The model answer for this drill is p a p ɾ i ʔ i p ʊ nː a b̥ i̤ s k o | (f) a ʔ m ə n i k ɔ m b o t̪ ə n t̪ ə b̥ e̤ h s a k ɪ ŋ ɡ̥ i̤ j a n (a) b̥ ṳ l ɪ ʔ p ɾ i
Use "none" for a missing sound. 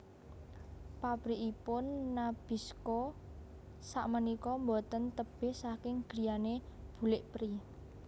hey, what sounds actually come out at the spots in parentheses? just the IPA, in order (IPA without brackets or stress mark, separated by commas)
s, e